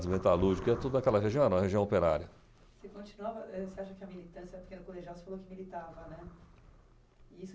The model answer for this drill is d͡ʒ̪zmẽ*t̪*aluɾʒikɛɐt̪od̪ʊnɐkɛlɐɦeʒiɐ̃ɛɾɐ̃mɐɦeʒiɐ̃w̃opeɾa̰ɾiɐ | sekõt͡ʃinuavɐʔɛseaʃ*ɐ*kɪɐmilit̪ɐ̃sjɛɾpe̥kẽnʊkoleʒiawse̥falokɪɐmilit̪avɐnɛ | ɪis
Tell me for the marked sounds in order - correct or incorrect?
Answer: correct, correct

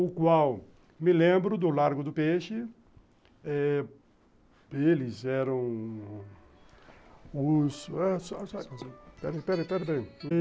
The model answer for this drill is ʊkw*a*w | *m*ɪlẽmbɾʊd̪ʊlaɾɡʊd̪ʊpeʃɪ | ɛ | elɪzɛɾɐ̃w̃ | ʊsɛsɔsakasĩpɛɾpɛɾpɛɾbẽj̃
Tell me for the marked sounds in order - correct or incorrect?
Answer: correct, correct

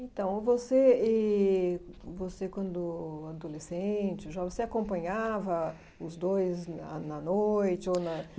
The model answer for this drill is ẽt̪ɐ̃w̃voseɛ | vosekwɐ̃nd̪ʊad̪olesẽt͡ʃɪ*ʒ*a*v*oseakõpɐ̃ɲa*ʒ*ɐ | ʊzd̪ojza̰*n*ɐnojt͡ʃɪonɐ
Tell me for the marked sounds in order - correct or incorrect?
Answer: correct, correct, incorrect, correct

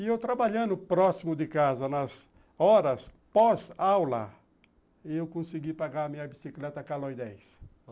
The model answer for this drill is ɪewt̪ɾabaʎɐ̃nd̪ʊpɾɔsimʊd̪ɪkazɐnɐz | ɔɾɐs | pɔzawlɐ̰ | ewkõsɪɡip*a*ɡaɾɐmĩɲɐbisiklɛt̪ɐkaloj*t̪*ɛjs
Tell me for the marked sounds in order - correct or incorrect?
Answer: correct, incorrect

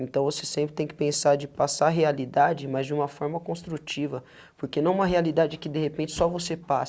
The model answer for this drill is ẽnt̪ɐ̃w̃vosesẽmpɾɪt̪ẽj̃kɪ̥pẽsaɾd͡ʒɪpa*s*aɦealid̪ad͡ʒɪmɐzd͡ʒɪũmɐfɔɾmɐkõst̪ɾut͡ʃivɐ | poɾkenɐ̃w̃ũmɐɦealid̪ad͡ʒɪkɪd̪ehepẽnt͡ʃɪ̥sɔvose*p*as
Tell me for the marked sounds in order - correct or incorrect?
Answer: correct, correct

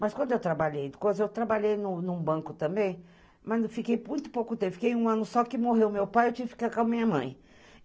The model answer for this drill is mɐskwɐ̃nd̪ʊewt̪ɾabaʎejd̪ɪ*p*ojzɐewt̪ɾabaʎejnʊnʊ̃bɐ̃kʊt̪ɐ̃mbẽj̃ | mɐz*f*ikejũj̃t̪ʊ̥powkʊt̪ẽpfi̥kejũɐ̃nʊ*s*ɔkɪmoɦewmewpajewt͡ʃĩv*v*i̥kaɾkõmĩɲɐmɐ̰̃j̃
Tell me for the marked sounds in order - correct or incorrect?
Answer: incorrect, correct, correct, incorrect

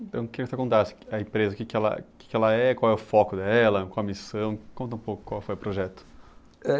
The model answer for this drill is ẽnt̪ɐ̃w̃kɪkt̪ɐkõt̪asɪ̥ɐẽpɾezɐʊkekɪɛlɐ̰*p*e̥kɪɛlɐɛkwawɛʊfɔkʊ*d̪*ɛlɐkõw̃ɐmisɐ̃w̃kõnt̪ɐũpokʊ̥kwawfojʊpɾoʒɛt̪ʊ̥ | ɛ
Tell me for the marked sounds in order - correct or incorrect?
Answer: incorrect, correct

